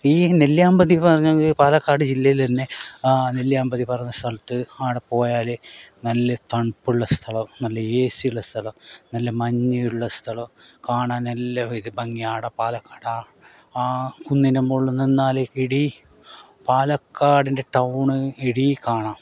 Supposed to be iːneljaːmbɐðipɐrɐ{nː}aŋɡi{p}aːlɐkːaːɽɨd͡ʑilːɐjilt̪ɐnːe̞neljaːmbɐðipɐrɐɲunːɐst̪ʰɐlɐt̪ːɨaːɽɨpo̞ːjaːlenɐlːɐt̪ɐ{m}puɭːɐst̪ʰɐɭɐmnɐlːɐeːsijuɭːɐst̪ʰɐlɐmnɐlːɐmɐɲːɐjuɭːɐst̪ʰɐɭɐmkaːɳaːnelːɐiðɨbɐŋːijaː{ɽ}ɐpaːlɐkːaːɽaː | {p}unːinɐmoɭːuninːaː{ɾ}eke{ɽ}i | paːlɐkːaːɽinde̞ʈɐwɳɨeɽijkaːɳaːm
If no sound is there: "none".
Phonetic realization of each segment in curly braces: ɲː, p, ɳ, ɽ, k, l, ɽ

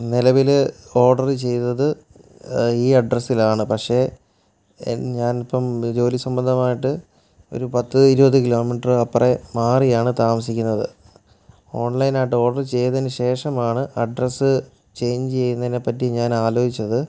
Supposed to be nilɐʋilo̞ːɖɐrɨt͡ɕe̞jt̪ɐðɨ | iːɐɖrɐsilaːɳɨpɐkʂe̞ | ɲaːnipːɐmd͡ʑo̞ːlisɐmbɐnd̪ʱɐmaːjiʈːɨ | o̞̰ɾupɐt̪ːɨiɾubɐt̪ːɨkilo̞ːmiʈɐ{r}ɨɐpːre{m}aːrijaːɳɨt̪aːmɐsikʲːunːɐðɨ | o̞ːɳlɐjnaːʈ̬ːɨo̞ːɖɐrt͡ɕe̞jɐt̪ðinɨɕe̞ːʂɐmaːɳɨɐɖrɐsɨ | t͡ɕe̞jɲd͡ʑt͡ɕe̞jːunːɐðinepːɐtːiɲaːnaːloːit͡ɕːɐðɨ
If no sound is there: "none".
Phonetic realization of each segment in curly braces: r, m

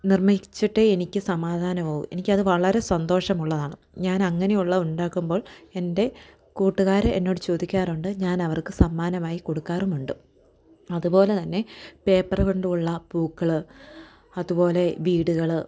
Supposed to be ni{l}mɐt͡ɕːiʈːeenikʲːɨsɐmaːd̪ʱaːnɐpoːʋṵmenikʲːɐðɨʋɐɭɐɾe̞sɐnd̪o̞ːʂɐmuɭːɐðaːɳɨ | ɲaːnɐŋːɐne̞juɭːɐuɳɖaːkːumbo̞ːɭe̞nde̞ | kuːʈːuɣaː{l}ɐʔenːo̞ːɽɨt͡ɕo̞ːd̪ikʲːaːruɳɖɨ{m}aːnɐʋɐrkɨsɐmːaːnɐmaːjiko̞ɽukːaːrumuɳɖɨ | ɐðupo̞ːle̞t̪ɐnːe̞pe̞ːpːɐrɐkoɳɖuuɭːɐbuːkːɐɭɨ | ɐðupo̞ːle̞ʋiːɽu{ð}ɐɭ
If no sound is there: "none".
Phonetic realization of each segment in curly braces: r, ɾ, ɲ, ɣ

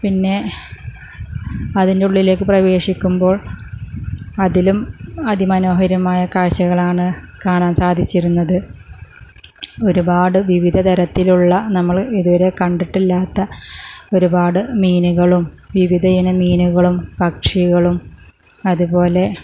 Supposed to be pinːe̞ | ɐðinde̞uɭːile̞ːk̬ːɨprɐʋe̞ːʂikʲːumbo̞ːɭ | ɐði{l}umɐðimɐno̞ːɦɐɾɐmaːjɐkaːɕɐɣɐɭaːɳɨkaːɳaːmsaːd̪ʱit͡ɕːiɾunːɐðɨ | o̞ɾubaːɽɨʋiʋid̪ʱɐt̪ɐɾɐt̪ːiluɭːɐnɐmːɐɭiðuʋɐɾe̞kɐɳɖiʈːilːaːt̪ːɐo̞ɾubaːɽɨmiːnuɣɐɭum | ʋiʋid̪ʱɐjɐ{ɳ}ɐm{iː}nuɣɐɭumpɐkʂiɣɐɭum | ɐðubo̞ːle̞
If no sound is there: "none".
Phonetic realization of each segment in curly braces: l, n, iː

